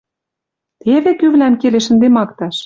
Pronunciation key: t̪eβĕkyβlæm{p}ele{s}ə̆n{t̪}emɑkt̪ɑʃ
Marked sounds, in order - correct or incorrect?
incorrect: k, incorrect: ʃ, incorrect: d̪

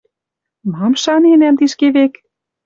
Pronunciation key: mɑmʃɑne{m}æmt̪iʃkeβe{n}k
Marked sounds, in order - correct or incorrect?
incorrect: n, incorrect: none

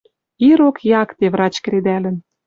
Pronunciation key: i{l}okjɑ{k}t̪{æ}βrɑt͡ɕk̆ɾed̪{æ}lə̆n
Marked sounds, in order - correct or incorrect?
incorrect: ɾ, correct, incorrect: e, correct

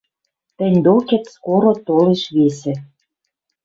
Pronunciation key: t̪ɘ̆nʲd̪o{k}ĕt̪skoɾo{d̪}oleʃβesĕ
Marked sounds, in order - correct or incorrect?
correct, incorrect: t̪

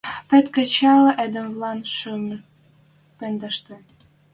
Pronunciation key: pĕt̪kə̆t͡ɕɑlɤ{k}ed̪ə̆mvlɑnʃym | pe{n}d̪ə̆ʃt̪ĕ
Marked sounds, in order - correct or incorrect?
incorrect: ʔ, correct

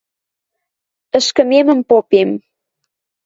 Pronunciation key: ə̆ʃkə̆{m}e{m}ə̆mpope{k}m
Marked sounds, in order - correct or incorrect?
correct, correct, incorrect: none

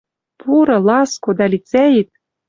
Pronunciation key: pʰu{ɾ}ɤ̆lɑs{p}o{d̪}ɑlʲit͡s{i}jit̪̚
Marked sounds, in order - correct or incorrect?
correct, incorrect: k, correct, incorrect: æ

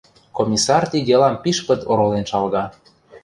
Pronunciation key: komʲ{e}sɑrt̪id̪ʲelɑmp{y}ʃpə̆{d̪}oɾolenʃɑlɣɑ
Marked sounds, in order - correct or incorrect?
incorrect: i, incorrect: i, incorrect: t̪

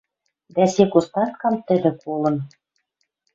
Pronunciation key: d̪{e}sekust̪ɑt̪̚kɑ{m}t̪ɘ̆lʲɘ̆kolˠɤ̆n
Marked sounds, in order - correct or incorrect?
incorrect: æ, correct

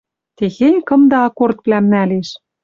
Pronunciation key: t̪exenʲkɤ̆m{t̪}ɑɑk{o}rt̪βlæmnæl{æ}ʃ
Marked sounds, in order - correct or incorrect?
incorrect: d̪, correct, incorrect: e

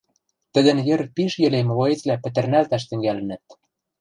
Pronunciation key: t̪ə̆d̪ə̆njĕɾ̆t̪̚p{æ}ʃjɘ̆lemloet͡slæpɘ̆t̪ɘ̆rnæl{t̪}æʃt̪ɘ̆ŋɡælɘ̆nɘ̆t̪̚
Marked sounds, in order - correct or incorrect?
incorrect: i, correct

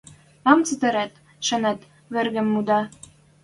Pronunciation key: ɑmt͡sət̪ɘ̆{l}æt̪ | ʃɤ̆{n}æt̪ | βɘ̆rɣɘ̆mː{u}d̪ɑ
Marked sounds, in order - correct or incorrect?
incorrect: ɾ, correct, correct

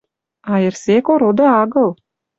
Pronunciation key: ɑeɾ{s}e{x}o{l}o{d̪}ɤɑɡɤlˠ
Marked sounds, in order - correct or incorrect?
correct, incorrect: k, incorrect: ɾ, correct

